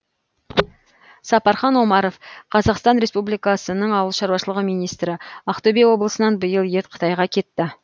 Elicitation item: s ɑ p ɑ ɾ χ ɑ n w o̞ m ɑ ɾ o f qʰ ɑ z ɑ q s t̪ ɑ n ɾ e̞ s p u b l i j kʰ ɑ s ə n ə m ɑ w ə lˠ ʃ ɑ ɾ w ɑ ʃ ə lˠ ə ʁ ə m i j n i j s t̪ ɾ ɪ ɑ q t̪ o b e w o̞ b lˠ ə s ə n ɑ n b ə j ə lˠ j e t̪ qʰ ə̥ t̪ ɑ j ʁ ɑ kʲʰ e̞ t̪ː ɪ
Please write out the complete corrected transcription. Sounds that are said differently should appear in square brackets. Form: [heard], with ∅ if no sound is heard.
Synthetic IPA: s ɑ p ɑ ɾ χ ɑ n w o̞ m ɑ ɾ o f qʰ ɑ z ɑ q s t̪ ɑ n ɾ e̞ s p u b l i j [k] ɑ s ə n ə [ɴ] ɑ w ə lˠ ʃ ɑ ɾ w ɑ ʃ ə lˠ ə ʁ ə m i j n i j s t̪ ɾ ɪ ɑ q t̪ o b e w o̞ b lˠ ə s ə n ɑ n b ə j ə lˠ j e t̪ qʰ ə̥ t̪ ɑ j ʁ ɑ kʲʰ e̞ t̪ː ɪ